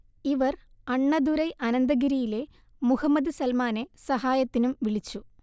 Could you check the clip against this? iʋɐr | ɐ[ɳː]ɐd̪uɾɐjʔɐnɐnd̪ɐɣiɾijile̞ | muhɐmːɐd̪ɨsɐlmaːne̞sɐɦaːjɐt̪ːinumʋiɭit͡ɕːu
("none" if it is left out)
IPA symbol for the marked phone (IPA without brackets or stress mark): ɳː